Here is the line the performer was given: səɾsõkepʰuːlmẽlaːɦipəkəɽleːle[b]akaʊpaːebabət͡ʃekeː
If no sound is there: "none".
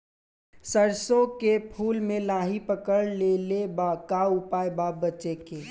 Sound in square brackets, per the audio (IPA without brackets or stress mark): b